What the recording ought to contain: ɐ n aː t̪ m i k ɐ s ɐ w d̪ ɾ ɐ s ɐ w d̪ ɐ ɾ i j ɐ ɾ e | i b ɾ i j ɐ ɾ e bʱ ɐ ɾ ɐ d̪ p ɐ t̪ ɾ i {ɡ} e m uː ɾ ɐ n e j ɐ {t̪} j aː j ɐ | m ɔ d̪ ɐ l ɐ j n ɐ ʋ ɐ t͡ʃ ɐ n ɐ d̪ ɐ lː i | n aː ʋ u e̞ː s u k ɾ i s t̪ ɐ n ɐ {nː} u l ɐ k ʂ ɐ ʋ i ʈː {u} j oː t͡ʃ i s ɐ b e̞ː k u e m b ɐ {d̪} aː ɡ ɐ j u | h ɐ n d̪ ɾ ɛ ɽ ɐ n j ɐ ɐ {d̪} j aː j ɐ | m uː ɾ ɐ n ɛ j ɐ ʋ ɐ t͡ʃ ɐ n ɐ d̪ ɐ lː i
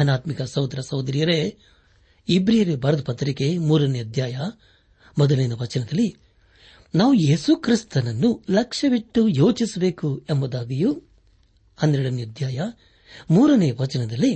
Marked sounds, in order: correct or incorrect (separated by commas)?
incorrect, incorrect, correct, correct, correct, correct